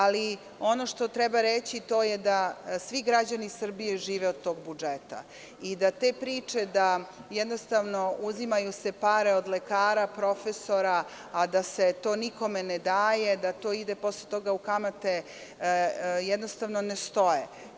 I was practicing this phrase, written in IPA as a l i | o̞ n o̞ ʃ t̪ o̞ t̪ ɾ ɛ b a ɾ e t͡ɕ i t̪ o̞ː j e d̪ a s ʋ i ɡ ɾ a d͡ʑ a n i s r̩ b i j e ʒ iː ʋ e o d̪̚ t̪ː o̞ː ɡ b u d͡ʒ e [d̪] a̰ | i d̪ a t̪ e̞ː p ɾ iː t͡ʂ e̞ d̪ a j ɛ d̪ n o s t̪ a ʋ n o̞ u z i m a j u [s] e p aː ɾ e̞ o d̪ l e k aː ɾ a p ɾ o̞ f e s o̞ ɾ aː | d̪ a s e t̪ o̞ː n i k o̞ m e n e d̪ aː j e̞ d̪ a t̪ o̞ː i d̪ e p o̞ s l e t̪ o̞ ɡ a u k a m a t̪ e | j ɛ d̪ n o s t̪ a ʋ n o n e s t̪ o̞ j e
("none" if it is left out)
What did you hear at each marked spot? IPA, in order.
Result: t̪, s

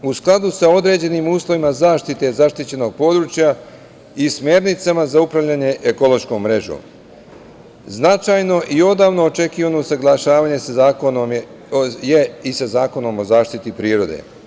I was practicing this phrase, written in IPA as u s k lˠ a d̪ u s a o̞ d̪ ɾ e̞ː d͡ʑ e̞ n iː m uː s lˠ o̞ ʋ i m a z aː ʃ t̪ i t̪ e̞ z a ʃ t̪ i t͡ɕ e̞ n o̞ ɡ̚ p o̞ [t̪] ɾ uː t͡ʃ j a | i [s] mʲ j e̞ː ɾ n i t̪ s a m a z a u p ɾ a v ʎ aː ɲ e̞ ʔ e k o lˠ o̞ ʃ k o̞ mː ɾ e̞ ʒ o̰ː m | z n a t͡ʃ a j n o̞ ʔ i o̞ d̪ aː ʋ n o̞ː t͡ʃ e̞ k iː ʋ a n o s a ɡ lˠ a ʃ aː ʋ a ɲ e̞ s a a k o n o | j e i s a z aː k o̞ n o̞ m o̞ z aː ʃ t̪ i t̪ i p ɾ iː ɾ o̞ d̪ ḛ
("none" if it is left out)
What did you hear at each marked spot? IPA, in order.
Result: d̪, s

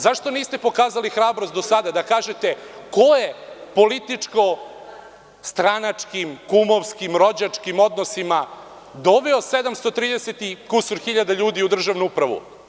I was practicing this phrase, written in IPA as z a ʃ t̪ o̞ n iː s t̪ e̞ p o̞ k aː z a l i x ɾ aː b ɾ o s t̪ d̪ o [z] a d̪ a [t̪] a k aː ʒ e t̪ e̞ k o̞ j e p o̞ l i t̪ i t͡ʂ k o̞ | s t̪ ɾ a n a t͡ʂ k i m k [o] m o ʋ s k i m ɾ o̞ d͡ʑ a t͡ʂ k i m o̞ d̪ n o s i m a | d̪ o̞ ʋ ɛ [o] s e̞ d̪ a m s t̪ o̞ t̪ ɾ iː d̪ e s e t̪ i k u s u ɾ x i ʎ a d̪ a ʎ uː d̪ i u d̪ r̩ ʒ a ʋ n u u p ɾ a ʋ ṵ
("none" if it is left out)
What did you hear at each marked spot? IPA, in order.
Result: s, d̪, u, o

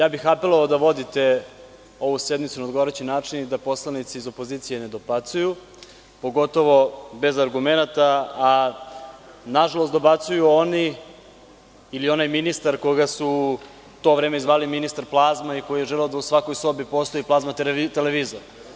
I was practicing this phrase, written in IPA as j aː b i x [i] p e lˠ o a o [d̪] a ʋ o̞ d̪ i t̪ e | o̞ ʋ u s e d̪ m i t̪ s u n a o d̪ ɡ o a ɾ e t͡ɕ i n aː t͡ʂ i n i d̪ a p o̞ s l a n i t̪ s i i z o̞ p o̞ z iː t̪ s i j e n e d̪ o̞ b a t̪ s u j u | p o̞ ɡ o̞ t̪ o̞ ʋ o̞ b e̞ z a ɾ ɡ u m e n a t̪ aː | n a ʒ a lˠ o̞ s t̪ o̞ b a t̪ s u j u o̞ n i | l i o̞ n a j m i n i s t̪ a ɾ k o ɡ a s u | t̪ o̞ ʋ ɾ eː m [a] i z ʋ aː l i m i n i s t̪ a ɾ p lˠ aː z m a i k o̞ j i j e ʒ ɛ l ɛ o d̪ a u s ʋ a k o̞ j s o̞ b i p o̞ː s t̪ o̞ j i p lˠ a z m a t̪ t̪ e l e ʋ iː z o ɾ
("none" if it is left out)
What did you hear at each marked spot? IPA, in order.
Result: a, d̪, e

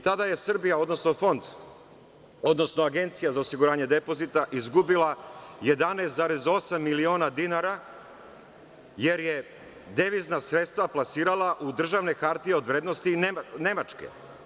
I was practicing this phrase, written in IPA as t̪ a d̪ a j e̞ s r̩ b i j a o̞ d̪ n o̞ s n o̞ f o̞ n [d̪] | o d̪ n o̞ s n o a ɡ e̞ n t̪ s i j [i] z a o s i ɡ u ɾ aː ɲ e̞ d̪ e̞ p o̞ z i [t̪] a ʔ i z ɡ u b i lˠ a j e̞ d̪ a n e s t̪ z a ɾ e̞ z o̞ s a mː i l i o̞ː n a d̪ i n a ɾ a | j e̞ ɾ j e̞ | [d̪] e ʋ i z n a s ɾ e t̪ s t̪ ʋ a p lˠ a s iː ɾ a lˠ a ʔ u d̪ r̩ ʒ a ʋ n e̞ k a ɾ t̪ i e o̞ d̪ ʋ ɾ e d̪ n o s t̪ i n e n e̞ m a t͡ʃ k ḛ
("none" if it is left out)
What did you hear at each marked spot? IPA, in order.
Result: d̪, a, t̪, d̪

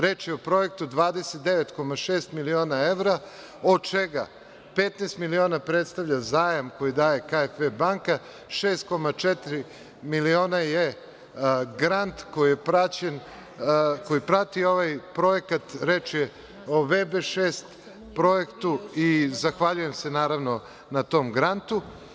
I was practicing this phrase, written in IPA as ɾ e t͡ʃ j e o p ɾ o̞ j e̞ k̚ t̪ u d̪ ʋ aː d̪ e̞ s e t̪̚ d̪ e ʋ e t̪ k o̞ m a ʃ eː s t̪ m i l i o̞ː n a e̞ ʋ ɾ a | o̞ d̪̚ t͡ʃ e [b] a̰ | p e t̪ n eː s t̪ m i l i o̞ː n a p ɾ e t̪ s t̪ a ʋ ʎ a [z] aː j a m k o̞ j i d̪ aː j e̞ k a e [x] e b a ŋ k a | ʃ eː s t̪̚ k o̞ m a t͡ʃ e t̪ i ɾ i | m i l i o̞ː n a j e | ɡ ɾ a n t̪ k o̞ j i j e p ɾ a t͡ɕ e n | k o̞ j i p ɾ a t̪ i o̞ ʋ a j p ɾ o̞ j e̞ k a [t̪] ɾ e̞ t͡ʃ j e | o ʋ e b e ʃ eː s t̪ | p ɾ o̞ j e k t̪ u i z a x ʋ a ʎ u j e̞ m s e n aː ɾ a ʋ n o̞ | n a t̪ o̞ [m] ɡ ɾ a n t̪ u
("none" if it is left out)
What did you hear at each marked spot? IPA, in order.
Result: ɡ, z, f, t̪, m

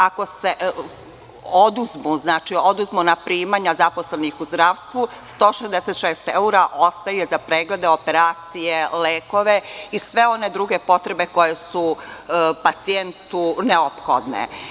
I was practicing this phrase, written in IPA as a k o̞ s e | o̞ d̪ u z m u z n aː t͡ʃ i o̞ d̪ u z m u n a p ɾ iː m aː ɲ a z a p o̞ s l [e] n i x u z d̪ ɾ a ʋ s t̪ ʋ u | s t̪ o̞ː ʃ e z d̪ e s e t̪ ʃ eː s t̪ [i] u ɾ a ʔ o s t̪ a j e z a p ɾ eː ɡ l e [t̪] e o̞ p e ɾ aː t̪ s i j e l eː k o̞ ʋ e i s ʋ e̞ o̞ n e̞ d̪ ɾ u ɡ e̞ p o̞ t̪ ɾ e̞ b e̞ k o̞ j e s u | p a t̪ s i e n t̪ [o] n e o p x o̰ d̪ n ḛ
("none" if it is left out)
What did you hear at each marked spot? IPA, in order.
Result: e, e, d̪, u

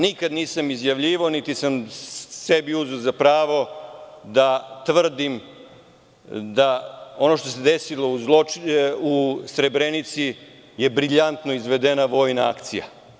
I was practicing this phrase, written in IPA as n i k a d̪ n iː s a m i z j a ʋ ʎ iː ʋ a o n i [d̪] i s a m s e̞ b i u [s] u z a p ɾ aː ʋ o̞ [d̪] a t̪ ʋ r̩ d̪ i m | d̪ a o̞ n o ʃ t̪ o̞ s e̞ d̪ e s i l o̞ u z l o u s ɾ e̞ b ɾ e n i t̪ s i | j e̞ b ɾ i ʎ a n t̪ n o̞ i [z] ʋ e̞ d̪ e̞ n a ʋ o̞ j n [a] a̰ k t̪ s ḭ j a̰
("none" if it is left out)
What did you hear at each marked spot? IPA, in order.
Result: t̪, z, d̪, z, a

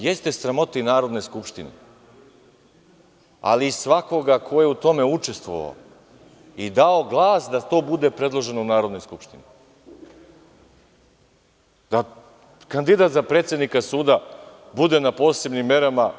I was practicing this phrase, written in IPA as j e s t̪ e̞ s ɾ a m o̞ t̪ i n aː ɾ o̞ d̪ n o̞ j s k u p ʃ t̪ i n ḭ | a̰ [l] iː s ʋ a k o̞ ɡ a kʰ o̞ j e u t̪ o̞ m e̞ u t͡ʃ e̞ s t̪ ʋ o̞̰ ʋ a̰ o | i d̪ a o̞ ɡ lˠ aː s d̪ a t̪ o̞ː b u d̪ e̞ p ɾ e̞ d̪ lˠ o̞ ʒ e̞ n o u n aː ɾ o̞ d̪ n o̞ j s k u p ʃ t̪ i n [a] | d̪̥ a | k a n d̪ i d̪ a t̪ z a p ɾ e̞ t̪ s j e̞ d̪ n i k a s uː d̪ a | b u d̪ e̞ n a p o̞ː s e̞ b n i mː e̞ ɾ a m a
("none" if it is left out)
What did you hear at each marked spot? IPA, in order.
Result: l, i

